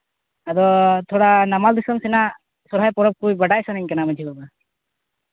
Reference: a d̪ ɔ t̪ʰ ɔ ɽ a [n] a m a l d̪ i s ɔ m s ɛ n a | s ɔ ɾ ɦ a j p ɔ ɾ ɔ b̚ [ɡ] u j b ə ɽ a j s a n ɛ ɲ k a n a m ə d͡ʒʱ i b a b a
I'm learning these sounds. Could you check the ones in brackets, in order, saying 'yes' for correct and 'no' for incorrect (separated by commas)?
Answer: yes, no